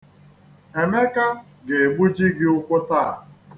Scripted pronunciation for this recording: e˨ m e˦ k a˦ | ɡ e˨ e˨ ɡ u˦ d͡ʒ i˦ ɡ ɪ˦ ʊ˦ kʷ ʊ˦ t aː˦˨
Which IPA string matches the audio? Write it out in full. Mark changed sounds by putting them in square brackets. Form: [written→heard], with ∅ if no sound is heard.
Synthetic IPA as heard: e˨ m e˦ k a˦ | ɡ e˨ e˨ [ɡ→ɡ͡b] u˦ d͡ʒ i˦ ɡ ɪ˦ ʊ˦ kʷ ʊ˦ t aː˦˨